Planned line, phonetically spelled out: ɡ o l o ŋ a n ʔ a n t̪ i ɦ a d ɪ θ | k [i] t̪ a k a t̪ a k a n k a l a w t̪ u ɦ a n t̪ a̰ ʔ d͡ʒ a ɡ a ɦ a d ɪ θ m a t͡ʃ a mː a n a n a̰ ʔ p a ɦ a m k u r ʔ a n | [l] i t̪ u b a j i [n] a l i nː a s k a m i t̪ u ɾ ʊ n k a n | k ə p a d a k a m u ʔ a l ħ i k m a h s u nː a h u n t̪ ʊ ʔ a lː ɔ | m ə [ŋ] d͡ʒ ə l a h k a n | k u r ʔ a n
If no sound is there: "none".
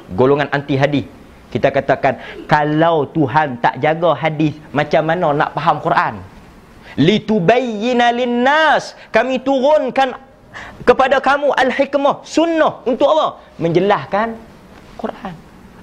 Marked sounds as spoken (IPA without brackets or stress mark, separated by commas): i, l, n, ɲ